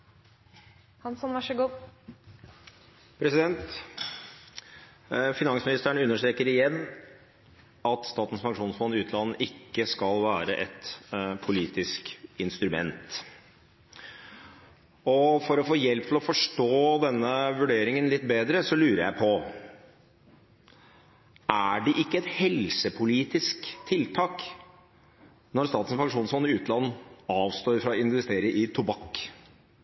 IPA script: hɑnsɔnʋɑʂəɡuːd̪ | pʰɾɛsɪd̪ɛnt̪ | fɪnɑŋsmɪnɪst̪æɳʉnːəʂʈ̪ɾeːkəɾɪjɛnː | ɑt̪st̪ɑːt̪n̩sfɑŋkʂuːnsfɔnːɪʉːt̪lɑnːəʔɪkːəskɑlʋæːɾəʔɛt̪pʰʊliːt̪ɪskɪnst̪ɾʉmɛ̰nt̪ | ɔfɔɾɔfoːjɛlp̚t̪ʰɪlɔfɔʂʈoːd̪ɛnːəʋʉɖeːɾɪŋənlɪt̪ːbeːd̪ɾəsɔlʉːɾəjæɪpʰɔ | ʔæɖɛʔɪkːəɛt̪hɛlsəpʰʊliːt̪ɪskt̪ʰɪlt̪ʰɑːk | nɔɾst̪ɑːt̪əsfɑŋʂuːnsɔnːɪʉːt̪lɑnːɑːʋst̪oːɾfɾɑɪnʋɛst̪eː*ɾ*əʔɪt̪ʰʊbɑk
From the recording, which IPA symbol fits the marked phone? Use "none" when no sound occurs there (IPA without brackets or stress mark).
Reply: ɾ